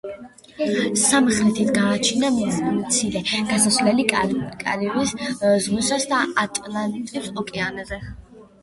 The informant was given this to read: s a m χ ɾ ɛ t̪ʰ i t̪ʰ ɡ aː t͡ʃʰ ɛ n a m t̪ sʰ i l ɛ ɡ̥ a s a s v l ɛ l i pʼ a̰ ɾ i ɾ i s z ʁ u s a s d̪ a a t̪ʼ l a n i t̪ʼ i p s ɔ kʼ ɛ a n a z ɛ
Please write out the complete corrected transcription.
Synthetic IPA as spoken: s a m χ ɾ ɛ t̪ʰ i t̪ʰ ɡ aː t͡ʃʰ i n a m t̪ sʰ i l ɛ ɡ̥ a s a s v l ɛ l i kʼ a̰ ɾ i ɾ i s z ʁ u s a s d̪ a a t̪ʼ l a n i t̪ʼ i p s ɔ kʼ ɛ a n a z ɛ